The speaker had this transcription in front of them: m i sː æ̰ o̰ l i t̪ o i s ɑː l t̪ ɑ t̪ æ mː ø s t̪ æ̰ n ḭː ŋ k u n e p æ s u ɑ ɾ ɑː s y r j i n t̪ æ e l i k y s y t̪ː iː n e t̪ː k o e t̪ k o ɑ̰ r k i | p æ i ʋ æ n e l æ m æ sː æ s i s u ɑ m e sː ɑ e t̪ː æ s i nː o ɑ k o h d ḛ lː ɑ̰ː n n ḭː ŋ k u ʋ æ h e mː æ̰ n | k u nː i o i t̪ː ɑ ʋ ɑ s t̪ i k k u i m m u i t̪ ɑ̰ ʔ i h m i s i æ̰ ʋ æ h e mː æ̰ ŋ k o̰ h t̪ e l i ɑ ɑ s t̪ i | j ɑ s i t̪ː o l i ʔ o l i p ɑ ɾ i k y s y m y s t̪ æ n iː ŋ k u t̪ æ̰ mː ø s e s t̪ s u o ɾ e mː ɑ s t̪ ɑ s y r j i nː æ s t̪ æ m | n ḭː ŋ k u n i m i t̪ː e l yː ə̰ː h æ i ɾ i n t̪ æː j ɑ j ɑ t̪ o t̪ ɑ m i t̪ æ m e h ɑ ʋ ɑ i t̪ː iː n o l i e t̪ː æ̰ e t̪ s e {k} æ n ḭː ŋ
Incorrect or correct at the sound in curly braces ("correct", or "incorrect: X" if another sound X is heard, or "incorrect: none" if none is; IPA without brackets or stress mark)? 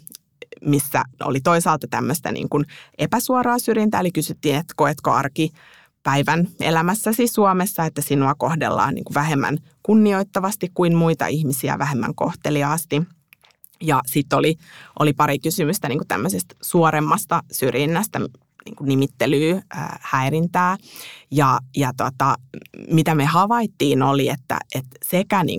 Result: correct